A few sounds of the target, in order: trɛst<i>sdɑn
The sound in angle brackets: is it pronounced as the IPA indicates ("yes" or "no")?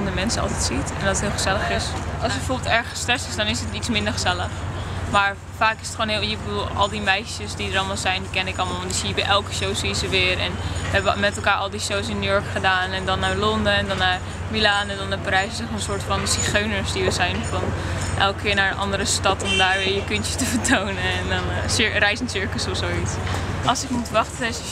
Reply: no